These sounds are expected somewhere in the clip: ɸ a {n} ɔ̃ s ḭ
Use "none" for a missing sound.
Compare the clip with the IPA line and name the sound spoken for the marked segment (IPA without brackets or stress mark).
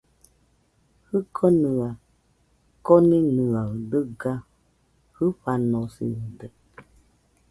n